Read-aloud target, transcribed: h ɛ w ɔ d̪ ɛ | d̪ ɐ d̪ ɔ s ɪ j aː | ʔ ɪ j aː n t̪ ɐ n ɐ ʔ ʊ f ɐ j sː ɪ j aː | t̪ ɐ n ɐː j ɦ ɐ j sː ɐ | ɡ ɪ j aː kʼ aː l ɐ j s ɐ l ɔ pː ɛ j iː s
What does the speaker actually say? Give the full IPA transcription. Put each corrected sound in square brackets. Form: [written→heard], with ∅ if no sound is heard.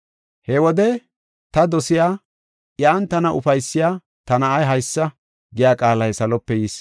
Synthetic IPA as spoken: h ɛ w ɔ d̪ ɛ | [d̪→t̪] ɐ d̪ ɔ s ɪ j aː | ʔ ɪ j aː n t̪ ɐ n ɐ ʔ ʊ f ɐ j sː ɪ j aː | t̪ ɐ n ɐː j ɦ ɐ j sː ɐ | ɡ ɪ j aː kʼ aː l ɐ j s ɐ l ɔ pː ɛ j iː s

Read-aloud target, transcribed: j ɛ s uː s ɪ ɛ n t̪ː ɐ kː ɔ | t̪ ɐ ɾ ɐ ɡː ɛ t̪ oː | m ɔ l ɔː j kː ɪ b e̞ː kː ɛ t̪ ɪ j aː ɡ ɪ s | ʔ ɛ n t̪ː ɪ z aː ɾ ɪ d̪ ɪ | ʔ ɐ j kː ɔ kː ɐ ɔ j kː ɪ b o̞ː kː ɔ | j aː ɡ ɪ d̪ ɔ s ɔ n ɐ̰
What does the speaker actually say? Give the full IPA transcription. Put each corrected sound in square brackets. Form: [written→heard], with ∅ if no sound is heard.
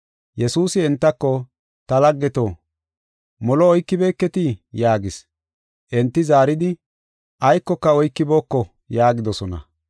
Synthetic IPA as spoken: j ɛ s uː s ɪ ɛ n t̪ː ɐ kː ɔ | t̪ ɐ [ɾ→l] ɐ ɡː ɛ t̪ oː | m ɔ l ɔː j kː ɪ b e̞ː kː ɛ t̪ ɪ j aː ɡ ɪ s | ʔ ɛ n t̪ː ɪ z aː ɾ ɪ d̪ ɪ | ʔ ɐ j kː ɔ kː ɐ ɔ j kː ɪ b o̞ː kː ɔ | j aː ɡ ɪ d̪ ɔ s ɔ n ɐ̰

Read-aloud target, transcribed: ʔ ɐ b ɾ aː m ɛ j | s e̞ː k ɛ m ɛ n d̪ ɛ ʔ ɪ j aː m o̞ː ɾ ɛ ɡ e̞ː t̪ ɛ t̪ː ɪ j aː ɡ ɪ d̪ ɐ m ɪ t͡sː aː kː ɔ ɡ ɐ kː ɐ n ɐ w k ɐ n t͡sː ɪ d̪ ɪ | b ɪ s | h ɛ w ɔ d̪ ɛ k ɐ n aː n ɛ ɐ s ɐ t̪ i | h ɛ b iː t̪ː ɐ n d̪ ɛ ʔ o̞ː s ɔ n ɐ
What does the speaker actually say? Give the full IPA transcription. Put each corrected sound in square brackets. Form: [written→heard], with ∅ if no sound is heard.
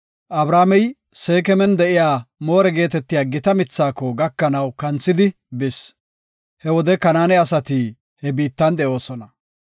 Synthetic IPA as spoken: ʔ ɐ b ɾ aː m ɛ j | s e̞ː k ɛ m ɛ n d̪ ɛ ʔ ɪ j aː m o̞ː ɾ ɛ ɡ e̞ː t̪ ɛ t̪ː ɪ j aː ɡ ɪ [d̪→t̪] ɐ m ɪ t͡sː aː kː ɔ ɡ ɐ kː ɐ n ɐ w k ɐ n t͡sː ɪ d̪ ɪ | b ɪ s | h ɛ w ɔ d̪ ɛ k ɐ n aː n ɛ ɐ s ɐ t̪ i | h ɛ b iː t̪ː ɐ n d̪ ɛ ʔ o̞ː s ɔ n ɐ

